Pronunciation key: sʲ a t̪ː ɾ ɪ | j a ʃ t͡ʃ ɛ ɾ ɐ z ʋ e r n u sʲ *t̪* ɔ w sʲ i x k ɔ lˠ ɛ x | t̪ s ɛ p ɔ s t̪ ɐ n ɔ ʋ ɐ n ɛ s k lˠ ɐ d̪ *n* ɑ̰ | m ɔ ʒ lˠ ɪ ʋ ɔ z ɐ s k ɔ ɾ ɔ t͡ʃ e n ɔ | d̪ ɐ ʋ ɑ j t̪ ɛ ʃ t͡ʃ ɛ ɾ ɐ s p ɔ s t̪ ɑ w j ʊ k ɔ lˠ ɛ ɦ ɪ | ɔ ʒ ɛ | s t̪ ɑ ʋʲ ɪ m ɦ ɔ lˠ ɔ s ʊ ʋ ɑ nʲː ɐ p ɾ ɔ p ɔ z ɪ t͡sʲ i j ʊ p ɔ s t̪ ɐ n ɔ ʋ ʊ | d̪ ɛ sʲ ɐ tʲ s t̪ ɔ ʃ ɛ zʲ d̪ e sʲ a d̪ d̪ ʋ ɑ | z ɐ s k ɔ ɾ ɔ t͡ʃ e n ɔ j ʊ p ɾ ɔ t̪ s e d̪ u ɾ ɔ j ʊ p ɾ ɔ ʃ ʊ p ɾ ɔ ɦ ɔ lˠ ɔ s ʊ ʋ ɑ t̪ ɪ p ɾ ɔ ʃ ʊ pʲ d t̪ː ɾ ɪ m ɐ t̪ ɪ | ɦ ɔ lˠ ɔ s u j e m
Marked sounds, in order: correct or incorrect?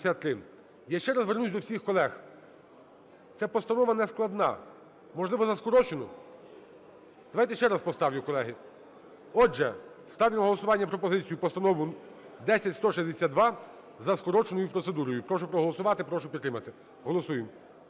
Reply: incorrect: d̪, correct

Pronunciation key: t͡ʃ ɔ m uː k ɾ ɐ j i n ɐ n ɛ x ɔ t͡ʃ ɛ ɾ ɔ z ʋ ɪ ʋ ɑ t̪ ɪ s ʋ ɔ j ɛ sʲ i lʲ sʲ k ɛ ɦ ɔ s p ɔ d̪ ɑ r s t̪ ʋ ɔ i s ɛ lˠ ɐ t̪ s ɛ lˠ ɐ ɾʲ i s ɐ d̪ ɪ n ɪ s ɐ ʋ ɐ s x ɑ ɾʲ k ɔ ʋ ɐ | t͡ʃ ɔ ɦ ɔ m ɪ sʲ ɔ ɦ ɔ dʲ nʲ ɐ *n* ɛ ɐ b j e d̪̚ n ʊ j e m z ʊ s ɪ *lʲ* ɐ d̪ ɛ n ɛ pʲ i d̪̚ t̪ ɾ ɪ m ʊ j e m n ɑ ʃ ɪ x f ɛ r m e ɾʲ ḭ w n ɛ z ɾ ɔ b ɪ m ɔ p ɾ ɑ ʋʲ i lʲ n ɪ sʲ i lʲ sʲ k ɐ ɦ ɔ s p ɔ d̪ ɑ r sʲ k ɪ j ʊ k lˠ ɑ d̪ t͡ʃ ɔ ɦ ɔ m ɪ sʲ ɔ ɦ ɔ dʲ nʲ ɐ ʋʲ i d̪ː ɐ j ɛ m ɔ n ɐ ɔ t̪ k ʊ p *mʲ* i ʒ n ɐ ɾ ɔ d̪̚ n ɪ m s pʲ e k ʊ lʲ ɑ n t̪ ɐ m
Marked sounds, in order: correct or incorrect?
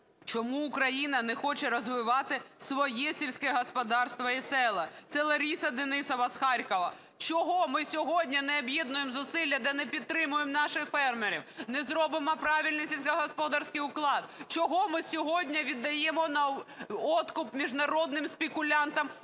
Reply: correct, incorrect: lʲː, correct

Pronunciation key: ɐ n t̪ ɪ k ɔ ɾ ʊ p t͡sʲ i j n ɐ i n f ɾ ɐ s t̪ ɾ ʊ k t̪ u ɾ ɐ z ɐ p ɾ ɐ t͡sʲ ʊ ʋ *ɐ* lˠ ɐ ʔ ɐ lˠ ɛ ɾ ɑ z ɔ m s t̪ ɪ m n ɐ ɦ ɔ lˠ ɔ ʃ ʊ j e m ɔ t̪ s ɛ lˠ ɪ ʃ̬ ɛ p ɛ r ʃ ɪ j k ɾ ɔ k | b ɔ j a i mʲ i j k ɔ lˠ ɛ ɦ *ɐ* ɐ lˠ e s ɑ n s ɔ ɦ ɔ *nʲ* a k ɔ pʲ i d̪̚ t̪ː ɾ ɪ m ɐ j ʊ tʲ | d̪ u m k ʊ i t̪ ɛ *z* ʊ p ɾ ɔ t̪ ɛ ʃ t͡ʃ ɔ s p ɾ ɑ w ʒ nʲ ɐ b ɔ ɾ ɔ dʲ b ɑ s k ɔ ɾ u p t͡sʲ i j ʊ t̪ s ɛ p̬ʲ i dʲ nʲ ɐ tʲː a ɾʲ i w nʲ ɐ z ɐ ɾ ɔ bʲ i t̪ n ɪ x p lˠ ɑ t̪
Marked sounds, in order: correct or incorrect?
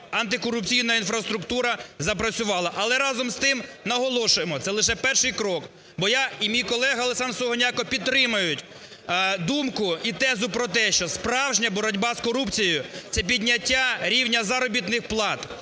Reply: incorrect: ɑ, correct, correct, correct

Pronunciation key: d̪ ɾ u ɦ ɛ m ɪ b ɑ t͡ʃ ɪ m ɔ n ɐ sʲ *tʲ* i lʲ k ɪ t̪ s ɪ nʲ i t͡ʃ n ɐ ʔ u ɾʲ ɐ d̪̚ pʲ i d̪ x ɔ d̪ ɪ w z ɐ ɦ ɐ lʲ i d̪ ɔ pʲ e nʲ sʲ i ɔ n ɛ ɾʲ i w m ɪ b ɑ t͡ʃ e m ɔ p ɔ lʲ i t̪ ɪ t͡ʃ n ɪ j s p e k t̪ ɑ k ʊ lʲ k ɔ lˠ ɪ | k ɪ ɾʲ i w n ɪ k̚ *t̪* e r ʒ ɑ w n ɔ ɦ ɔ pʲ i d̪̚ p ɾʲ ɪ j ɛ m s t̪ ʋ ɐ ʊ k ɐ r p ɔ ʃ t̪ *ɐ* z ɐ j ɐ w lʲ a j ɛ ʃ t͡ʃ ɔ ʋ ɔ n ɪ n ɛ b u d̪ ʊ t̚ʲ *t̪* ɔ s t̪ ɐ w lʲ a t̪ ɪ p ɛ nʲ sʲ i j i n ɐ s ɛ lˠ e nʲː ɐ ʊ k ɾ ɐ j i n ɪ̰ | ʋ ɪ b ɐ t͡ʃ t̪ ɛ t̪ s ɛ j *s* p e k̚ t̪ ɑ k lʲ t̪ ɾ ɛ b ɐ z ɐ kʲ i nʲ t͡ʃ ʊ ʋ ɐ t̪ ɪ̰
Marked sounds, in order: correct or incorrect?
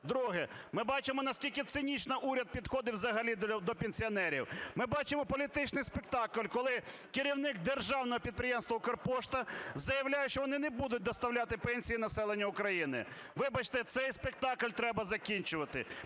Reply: incorrect: kʲ, incorrect: d̪, correct, incorrect: d̪, correct

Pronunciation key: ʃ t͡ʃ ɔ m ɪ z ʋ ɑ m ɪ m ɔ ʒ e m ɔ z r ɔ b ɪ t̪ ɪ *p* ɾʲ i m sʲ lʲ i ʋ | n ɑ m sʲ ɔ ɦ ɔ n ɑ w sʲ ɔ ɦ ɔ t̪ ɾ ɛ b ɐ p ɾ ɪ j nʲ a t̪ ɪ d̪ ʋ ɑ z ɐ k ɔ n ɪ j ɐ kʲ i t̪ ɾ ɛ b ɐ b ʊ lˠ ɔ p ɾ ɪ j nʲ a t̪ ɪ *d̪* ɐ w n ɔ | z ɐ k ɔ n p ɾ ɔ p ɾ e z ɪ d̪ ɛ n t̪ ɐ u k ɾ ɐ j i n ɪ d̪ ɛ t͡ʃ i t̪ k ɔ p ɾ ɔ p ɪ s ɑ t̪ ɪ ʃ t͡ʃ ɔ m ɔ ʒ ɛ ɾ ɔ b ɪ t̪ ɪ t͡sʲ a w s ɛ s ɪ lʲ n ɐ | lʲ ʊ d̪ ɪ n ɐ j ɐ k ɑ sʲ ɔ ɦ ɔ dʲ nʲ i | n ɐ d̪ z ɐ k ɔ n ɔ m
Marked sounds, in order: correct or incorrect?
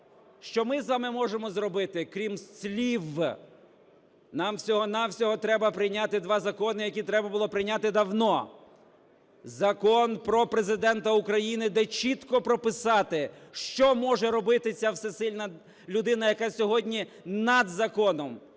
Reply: incorrect: k, correct

